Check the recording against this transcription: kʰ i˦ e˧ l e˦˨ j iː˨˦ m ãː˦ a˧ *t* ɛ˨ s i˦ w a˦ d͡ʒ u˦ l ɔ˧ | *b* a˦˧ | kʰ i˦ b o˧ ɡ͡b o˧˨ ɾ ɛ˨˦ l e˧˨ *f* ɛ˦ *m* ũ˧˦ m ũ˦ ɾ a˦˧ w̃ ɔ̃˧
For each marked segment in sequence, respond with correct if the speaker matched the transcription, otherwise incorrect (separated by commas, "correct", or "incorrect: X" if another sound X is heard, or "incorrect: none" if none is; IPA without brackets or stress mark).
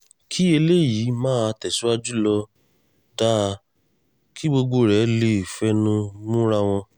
correct, incorrect: d, correct, incorrect: n